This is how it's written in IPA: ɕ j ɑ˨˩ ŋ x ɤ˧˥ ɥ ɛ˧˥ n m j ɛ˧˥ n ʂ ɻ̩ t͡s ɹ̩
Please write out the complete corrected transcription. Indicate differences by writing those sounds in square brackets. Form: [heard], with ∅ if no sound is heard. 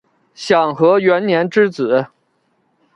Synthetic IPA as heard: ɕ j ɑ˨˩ ŋ x ɤ˧˥ ɥ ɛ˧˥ n [n] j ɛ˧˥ n [ʈ͡ʂ] ɻ̩ t͡s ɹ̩